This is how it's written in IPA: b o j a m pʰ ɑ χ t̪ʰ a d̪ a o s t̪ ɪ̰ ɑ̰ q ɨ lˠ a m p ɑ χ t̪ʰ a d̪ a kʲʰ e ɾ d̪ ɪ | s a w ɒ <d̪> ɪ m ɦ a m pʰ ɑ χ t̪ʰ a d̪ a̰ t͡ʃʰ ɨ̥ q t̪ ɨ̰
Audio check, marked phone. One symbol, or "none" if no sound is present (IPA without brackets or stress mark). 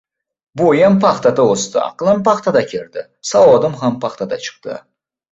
d̪